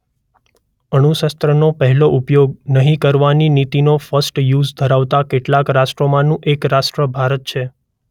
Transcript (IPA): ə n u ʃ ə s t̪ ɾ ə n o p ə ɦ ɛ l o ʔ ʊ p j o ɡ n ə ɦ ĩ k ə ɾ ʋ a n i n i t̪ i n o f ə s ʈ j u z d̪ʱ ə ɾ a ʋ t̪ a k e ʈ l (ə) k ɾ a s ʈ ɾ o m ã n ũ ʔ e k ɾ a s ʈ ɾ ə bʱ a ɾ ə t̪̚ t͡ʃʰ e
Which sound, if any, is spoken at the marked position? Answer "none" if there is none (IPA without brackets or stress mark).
a